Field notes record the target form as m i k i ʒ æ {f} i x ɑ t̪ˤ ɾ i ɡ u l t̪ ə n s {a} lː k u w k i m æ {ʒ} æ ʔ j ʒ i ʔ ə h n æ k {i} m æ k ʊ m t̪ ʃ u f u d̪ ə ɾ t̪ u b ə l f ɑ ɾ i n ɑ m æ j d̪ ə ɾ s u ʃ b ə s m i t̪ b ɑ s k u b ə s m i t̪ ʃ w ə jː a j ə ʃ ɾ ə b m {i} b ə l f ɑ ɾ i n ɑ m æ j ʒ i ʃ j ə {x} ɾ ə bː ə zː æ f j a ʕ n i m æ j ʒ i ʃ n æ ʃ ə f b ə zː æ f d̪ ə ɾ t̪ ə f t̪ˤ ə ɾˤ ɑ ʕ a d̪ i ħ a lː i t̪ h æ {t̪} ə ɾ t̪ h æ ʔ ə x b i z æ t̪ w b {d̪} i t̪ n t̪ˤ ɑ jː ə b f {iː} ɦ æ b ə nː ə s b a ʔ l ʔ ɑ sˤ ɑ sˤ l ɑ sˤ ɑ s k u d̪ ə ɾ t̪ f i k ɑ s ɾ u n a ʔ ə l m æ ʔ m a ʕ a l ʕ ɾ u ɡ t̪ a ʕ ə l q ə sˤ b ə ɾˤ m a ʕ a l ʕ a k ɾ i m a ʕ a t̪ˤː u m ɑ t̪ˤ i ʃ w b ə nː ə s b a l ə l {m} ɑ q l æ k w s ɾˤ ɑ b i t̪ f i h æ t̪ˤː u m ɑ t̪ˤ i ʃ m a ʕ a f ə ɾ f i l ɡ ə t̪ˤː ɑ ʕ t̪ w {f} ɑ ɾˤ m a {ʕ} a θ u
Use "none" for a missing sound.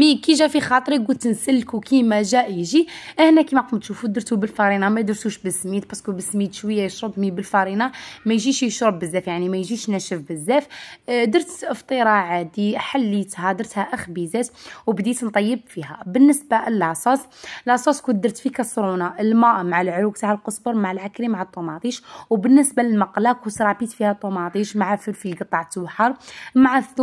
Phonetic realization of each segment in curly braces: f, ə, ʒ, i, i, ʃ, d̪, d̪, i, m, ħ, ʕ

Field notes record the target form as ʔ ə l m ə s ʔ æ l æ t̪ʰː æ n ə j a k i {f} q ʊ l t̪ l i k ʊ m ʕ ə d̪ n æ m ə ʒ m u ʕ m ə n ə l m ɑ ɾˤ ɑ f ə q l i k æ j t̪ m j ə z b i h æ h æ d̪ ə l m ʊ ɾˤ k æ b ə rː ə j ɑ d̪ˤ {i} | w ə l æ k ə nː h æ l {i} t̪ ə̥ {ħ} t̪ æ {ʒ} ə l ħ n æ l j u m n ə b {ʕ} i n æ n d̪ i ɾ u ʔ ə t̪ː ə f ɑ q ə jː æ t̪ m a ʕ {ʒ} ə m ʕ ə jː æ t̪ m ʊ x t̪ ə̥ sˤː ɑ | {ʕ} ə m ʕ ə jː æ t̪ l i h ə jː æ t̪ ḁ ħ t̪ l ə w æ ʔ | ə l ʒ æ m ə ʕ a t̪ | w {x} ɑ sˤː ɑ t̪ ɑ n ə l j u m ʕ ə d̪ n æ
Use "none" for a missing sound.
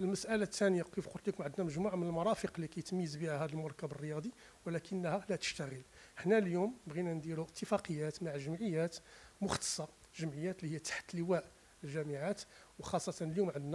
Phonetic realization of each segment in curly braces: f, i, æ, ʃ, ɣ, ɣ, ʒ, ʒ, x

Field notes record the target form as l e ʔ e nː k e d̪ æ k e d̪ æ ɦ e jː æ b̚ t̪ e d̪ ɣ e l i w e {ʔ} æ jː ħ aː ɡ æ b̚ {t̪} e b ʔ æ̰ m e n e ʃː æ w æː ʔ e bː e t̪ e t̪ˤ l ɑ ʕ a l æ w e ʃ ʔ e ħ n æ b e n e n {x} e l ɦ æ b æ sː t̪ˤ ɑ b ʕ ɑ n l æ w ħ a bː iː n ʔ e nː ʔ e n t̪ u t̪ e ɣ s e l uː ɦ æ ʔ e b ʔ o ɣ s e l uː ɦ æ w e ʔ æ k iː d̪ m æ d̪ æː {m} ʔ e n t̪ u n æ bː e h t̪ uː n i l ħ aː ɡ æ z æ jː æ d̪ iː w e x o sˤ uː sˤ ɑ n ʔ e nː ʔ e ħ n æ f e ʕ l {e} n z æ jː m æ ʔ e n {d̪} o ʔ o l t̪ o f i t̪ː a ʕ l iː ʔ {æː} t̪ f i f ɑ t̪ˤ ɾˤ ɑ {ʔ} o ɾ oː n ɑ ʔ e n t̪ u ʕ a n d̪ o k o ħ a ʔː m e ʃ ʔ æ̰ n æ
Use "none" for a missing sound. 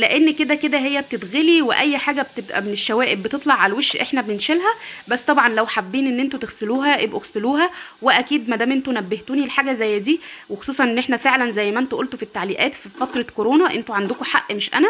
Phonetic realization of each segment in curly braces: ʔ, t̪, ʃ, m, æ, t̪, æː, k

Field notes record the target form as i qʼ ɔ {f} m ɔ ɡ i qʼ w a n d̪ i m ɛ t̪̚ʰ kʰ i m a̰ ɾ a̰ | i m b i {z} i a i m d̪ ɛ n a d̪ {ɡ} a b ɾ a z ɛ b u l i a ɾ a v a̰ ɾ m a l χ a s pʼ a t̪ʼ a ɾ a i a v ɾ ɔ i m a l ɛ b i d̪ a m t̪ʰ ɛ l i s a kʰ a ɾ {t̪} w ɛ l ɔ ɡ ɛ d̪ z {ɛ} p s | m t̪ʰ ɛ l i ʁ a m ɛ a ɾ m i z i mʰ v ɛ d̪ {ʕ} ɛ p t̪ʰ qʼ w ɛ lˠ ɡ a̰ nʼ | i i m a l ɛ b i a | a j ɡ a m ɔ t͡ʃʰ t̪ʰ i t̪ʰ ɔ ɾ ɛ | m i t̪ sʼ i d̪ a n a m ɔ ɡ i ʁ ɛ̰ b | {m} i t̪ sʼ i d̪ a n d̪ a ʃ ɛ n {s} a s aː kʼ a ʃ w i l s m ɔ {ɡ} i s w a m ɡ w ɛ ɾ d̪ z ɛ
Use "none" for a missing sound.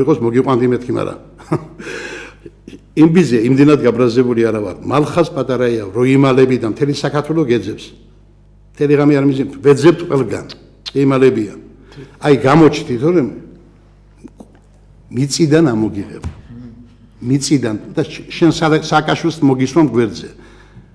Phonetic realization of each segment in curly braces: s, z, ɡ, t̪ʰ, ɛ, z, m, s, ɡ

